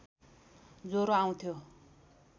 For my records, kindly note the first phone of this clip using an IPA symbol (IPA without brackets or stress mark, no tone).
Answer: d͡z